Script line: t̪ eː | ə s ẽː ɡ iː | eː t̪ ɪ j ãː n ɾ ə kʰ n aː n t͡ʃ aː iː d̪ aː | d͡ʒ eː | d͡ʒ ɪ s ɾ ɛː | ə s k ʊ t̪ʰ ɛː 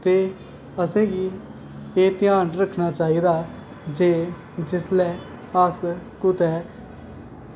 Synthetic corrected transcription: t̪ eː | ə s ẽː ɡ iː | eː t̪ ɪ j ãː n ɾ ə kʰ n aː t͡ʃ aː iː d̪ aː | d͡ʒ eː | d͡ʒ ɪ s l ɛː | ə s k ʊ t̪ ɛː